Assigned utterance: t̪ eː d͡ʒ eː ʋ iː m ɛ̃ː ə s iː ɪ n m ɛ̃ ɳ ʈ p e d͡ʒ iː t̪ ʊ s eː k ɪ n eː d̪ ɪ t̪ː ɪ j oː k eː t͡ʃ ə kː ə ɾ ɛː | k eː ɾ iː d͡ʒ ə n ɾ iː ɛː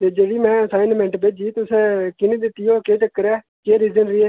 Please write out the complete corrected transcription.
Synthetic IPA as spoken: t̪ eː d͡ʒ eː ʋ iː m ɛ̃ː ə s aː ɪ n m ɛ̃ ɳ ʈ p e d͡ʒ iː t̪ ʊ s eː k ɪ n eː d̪ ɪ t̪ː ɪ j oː k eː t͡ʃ ə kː ə ɾ ɛː | k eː ɾ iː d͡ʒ ə n ɾ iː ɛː

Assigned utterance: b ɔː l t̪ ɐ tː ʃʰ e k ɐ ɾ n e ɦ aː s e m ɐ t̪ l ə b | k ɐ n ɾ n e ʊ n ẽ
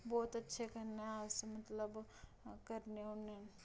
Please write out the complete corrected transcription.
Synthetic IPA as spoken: b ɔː t̪ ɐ tː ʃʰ e k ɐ ɾ n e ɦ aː s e m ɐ t̪ l ə b | k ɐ ɾ n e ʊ n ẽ

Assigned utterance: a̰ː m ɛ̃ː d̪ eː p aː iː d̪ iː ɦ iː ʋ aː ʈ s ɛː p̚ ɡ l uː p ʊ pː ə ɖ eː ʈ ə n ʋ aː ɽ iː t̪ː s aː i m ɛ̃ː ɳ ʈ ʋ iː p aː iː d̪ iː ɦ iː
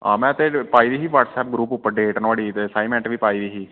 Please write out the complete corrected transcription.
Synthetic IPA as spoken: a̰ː m ɛ̃ː t̪ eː p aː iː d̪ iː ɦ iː ʋ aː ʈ s ɛː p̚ ɡ ɾ uː p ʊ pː ə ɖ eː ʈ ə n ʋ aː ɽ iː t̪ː s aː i m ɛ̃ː ɳ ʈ ʋ iː p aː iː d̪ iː ɦ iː

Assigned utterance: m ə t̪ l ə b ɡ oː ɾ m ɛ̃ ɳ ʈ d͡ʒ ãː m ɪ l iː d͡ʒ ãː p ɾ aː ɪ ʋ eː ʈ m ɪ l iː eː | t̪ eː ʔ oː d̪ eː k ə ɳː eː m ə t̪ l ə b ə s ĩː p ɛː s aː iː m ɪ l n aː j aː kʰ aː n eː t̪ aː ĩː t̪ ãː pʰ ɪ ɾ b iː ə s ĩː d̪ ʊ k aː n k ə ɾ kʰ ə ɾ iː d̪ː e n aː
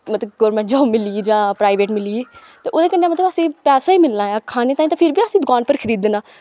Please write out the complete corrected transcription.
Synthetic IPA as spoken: m ə t̪ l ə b ɡ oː ɾ m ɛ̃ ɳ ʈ d͡ʒ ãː m ɪ l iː d͡ʒ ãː p ɾ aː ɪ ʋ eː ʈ m ɪ l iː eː | t̪ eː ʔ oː d̪ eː k ə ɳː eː m ə t̪ l ə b ə s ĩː p ɛː s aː iː m ɪ l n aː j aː kʰ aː n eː t̪ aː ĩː t̪ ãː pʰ ɪ ɾ b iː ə s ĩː d̪ ʊ k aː n p ə ɾ kʰ ə ɾ iː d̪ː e n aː

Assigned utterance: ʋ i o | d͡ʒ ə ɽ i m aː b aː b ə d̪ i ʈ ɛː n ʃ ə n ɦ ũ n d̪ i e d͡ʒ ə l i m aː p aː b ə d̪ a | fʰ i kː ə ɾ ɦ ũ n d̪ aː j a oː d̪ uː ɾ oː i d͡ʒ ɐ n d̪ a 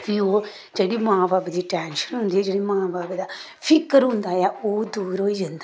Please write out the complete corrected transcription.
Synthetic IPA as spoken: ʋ i o | d͡ʒ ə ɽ i m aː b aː b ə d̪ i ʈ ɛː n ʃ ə n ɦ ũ n d̪ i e d͡ʒ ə ɽ i m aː b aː b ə d̪ a | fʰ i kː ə ɾ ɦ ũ n d̪ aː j a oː d̪ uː ɾ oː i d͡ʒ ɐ n d̪ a

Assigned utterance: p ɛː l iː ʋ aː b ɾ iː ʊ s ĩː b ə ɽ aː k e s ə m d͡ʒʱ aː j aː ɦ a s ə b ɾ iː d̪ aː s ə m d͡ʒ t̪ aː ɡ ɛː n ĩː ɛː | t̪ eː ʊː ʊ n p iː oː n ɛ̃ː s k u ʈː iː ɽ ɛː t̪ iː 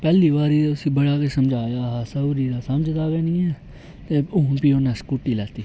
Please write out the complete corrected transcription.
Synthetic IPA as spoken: p ɛː l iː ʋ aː ɾ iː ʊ s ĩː b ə ɽ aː k e s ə m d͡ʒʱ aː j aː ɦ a s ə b ɾ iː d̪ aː s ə m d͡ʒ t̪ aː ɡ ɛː n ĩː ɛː | t̪ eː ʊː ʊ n p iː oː n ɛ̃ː s k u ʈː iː l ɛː t̪ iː

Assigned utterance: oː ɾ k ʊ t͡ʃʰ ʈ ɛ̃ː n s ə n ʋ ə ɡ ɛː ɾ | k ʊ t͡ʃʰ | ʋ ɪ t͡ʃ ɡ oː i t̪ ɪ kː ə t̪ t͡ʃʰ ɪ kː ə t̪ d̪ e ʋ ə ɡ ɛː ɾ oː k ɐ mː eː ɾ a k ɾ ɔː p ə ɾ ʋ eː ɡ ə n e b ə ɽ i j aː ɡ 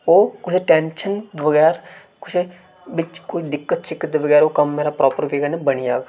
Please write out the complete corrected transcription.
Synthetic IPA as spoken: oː k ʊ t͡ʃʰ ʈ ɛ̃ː n ʃ ə n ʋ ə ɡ ɛː ɾ | k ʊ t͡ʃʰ | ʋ ɪ t͡ʃ k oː i d̪ ɪ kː ə t̪ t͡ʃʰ ɪ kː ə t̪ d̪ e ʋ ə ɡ ɛː ɾ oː k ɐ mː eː ɾ a p ɾ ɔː p ə ɾ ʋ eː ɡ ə n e b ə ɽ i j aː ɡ

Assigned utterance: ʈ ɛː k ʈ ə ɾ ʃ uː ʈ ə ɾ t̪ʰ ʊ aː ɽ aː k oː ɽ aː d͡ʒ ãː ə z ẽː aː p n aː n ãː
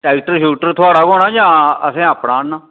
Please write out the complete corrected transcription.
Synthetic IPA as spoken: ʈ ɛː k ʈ ə ɾ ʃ uː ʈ ə ɾ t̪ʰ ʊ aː ɽ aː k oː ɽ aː d͡ʒ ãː ə s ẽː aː p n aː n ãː

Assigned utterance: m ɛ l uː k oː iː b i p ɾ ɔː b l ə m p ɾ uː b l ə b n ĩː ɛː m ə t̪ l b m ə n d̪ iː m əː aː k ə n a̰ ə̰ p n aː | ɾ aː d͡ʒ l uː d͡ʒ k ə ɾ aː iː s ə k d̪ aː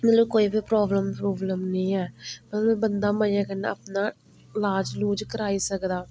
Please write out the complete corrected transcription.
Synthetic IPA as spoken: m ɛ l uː k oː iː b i p ɾ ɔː b l ə m p ɾ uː b l ə m n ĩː ɛː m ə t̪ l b b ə n d̪ aː m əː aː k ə n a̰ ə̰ p n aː | l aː d͡ʒ l uː d͡ʒ k ə ɾ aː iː s ə k d̪ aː

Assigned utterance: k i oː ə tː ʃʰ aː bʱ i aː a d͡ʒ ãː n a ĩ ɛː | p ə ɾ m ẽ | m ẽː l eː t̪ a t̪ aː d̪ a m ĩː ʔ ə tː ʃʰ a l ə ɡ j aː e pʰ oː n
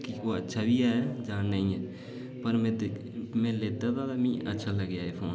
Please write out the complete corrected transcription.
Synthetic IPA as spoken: k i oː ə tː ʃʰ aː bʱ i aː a d͡ʒ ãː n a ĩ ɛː | p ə ɾ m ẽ | m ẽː l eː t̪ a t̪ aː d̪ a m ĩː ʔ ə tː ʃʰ a l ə ɡ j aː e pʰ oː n

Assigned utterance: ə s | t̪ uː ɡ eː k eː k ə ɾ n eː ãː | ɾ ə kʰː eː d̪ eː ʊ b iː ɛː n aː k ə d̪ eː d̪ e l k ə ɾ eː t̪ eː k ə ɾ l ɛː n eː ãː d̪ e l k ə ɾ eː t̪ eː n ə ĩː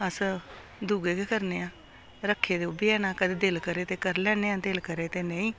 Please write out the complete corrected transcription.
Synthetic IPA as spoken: ə s | d̪ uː ɡ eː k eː k ə ɾ n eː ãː | ɾ ə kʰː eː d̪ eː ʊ b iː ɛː n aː k ə d̪ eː d̪ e l k ə ɾ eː t̪ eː k ə ɾ l ɛː n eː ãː d̪ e l k ə ɾ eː t̪ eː n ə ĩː

